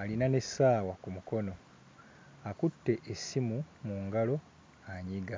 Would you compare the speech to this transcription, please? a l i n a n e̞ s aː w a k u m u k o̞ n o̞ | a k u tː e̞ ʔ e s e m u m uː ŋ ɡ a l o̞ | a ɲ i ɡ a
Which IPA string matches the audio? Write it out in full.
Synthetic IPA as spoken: a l i n a n e̞ s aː w a k u m u k o̞ n o̞ | a k u tː e̞ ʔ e s i m u m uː ŋ ɡ a l o̞ | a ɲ i ɡ a

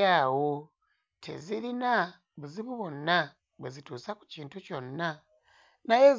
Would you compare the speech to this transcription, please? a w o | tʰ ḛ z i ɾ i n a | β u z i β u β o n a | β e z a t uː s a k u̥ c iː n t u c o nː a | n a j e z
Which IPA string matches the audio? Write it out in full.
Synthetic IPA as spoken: a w o | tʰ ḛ z i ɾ i n a | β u z i β u β o n a | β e z i t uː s a k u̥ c iː n t u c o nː a | n a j e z

